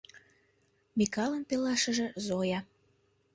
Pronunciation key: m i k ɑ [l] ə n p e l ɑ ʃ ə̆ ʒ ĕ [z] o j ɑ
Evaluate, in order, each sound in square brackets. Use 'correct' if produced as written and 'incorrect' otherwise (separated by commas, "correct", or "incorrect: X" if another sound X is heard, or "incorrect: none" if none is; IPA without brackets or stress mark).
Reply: correct, correct